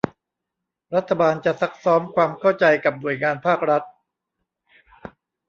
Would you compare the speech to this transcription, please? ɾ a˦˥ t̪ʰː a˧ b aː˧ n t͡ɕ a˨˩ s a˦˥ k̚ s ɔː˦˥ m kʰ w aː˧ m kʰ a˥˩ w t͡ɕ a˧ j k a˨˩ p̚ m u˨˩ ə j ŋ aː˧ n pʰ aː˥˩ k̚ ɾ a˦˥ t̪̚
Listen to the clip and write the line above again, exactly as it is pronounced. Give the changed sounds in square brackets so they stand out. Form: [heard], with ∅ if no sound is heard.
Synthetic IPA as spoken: ɾ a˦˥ t̪ʰː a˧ b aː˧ n t͡ɕ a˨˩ s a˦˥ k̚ s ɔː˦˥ m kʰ w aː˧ m kʰ a˥˩ w t͡ɕ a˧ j k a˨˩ p̚ [n] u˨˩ ə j ŋ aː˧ n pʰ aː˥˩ k̚ ɾ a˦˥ t̪̚